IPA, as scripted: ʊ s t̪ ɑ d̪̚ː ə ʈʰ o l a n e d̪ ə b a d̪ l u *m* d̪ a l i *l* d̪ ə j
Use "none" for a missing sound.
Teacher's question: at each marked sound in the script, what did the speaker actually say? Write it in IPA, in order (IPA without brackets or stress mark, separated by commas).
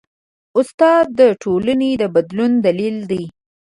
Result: n, l